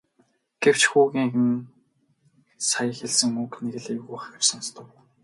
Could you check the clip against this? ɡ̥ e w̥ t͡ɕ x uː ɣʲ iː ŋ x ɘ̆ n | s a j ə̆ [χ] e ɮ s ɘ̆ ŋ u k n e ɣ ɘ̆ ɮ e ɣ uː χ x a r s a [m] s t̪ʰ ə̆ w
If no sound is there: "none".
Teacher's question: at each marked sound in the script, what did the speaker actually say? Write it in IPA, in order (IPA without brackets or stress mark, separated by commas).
x, n